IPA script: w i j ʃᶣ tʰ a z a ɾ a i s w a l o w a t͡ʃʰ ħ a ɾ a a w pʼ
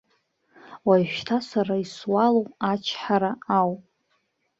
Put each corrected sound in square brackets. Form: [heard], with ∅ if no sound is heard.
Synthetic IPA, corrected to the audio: w [a] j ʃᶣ tʰ a [s] a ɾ a i s w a l o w a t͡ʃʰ ħ a ɾ a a w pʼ